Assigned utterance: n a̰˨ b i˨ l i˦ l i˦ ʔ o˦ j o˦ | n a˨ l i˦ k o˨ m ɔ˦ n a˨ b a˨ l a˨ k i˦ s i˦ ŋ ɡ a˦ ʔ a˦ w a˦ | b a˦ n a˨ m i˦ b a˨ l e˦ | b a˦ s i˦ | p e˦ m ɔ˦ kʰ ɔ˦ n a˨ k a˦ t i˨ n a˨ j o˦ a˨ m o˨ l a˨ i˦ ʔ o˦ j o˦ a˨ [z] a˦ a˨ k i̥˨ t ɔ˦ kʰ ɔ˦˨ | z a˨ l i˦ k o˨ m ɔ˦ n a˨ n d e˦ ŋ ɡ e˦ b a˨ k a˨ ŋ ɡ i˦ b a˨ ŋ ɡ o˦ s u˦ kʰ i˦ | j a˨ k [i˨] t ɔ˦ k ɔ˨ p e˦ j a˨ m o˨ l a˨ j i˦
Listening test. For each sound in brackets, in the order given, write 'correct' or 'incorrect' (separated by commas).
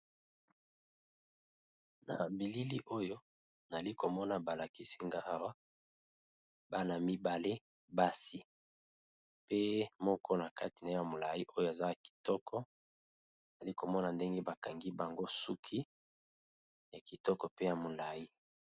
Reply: correct, correct